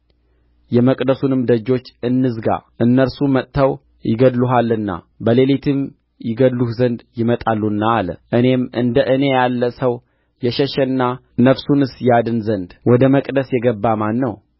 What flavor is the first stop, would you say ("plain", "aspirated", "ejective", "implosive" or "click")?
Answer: ejective